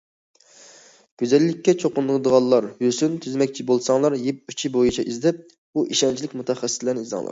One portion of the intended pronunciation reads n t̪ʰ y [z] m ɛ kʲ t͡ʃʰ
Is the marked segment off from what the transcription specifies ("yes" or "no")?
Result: no